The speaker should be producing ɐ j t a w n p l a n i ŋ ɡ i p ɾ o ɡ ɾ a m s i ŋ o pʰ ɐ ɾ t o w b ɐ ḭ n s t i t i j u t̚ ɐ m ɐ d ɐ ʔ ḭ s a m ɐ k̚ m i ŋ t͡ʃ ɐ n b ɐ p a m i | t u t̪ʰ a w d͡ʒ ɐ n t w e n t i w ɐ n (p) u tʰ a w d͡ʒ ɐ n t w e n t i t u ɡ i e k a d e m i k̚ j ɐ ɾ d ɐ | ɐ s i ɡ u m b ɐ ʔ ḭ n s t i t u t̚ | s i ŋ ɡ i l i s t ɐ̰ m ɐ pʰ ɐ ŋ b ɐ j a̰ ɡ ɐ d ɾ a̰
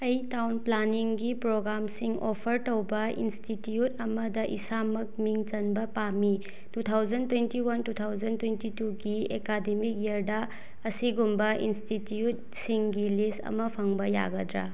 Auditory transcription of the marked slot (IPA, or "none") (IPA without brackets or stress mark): t